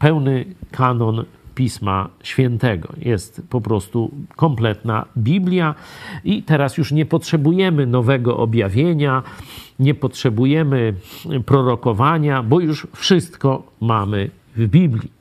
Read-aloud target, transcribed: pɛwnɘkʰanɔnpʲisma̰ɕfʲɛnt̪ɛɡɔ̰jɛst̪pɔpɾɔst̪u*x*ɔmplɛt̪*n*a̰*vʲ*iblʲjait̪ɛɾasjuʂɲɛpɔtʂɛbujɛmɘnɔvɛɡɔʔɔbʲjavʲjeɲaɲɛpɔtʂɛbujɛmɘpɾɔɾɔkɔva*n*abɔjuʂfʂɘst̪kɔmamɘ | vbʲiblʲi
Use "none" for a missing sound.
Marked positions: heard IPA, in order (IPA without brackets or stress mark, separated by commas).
k, n, bʲ, ɲ